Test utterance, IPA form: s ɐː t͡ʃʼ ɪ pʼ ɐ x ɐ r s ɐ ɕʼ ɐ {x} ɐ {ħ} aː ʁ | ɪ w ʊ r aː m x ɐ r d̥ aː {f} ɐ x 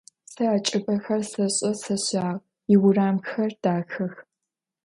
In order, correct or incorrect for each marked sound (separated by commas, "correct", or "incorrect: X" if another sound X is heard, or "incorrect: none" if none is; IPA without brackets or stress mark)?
incorrect: s, incorrect: ɕ, incorrect: x